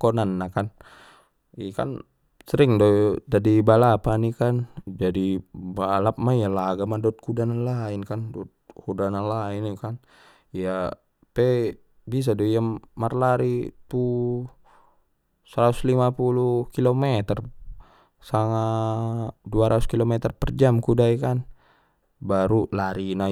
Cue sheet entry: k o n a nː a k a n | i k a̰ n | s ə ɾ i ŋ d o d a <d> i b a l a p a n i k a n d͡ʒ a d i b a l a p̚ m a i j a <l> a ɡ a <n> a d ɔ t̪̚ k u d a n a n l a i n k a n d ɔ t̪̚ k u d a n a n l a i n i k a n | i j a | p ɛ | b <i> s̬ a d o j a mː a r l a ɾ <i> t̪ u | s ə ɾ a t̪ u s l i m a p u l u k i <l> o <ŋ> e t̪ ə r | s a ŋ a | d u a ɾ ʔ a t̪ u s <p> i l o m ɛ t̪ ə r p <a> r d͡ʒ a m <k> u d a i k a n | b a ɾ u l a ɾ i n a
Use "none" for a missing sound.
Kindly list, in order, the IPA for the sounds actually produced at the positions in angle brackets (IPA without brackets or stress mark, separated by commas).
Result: d, l, m, i, i, l, m, k, ə, k